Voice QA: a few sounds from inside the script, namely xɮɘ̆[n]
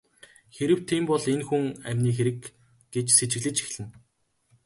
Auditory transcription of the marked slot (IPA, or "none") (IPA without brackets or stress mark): n